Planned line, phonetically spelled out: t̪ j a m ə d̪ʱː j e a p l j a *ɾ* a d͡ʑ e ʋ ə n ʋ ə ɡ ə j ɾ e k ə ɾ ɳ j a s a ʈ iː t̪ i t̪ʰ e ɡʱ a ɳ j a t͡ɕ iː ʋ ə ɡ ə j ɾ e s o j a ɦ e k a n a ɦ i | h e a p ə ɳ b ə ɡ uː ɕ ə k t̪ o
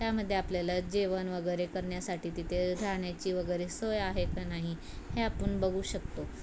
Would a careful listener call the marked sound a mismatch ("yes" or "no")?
yes